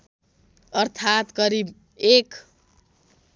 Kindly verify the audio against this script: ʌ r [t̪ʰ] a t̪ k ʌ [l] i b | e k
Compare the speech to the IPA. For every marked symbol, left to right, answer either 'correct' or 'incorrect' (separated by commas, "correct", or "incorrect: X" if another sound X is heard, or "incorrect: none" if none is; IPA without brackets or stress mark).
correct, incorrect: ɾ